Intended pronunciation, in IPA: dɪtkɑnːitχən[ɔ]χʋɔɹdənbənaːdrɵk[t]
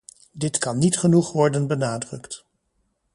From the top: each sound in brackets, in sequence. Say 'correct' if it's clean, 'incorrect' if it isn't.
incorrect: u, correct

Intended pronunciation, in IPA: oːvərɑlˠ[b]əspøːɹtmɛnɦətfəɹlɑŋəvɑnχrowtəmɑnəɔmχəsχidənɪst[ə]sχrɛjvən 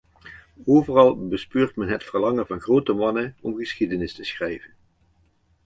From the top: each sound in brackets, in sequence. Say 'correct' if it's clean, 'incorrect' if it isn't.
correct, correct

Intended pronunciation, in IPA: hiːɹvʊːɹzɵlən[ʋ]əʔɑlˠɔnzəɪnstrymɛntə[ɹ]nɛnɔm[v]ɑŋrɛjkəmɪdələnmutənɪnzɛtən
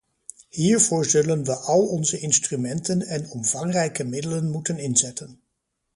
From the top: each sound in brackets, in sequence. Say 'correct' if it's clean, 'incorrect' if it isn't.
correct, incorrect: none, correct

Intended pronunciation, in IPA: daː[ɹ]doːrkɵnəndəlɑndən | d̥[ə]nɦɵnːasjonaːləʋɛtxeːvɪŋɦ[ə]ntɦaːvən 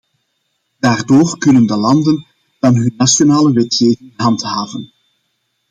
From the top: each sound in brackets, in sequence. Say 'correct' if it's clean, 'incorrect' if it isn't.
incorrect: r, incorrect: ɑ, incorrect: ɑ

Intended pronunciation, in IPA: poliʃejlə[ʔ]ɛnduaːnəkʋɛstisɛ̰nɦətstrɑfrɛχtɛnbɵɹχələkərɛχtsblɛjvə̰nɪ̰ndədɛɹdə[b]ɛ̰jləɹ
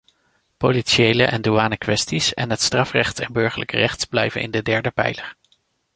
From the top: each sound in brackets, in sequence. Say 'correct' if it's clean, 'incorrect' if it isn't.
correct, incorrect: p

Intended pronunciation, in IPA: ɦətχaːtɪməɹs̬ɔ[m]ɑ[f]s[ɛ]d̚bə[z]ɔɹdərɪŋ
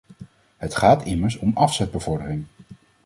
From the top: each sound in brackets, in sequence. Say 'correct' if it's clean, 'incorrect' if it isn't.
correct, correct, correct, incorrect: v

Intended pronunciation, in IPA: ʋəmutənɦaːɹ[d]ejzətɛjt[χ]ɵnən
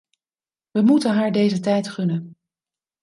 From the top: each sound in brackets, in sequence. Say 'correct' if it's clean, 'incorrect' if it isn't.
correct, correct

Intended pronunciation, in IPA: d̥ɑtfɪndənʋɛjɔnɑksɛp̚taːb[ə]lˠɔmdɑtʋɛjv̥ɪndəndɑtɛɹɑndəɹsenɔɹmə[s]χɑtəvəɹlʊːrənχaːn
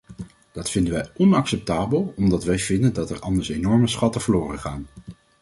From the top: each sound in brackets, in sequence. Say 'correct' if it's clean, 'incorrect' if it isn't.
correct, correct

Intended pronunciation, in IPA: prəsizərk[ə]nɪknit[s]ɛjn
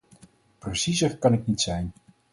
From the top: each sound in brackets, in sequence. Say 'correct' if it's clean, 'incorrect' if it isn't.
incorrect: ɑ, correct

